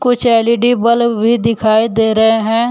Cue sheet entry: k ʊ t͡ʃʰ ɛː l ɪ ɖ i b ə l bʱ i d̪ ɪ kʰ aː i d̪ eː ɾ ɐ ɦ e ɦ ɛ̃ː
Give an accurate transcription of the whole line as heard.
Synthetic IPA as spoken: k ʊ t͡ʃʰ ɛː l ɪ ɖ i b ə l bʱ i d̪ ɪ kʰ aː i d̪ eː ɾ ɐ ɦ e ɦ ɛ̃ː